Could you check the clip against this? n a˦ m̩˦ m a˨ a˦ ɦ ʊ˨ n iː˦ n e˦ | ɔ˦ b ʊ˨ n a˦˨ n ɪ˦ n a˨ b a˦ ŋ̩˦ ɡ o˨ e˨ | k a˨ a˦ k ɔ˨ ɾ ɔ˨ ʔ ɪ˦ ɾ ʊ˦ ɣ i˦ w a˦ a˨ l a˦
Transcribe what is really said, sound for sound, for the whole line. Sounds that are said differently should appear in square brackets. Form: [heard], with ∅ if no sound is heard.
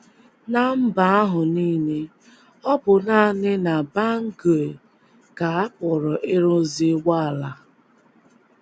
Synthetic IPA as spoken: n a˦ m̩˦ [b] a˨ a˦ ɦ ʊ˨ n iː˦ n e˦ | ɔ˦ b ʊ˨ n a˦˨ n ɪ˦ n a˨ b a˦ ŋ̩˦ ɡ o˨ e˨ | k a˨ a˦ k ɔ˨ ɾ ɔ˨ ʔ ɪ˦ ɾ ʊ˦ [z] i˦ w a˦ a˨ l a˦